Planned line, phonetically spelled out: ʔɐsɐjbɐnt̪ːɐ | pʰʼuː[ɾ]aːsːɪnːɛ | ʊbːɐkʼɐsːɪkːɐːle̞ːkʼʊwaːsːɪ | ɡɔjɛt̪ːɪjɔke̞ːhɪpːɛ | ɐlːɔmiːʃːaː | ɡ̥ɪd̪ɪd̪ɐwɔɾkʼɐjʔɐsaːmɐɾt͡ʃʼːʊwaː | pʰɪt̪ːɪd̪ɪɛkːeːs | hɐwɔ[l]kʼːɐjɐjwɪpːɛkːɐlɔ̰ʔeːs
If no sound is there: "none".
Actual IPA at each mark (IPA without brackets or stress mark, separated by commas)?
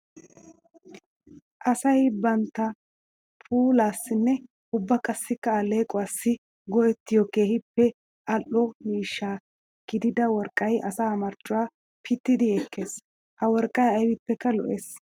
l, ɾ